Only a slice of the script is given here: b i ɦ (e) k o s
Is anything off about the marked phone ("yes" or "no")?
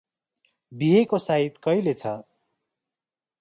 no